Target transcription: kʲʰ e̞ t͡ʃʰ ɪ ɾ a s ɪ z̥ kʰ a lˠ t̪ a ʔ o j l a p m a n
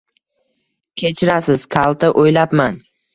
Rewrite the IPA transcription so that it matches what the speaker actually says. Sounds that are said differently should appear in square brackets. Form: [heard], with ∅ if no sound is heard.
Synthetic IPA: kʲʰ e̞ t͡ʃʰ ɪ ɾ a s ɪ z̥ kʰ a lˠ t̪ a ʔ o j l a p m a n